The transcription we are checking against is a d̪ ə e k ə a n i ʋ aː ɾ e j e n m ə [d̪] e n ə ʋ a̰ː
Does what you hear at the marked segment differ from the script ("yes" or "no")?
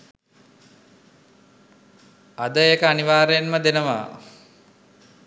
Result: no